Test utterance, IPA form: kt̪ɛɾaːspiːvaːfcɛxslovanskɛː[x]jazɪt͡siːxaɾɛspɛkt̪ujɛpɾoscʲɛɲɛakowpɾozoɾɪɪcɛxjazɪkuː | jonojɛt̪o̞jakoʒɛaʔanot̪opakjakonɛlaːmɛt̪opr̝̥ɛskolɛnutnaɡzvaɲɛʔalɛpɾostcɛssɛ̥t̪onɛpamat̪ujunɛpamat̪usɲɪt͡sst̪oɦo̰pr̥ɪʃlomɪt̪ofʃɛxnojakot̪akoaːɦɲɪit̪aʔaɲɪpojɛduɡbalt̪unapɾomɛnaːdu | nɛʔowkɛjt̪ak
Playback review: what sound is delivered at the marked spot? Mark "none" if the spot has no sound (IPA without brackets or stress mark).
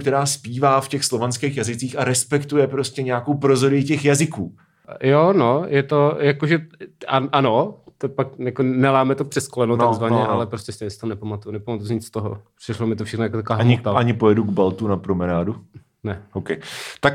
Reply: x